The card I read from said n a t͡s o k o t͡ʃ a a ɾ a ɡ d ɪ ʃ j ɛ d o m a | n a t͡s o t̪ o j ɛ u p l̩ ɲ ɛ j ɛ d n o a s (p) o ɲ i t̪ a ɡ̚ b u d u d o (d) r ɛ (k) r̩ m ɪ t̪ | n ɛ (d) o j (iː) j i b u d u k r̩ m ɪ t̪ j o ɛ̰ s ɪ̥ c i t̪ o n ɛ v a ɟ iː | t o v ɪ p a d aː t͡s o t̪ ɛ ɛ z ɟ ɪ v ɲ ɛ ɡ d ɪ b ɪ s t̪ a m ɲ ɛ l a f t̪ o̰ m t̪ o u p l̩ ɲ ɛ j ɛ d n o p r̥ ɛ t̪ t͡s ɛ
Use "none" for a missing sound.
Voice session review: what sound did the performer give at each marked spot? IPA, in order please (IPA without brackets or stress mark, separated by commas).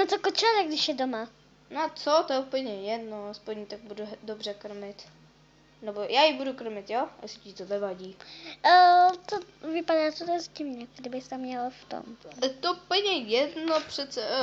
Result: p, b, k, b, aː